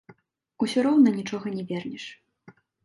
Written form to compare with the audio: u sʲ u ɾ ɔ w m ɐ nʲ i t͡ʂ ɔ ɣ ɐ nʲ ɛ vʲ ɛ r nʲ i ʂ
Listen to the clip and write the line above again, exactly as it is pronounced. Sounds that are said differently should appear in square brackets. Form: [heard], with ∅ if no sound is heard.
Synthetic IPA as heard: u sʲ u ɾ ɔ w [n] ɐ nʲ i t͡ʂ ɔ ɣ ɐ nʲ ɛ vʲ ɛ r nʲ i ʂ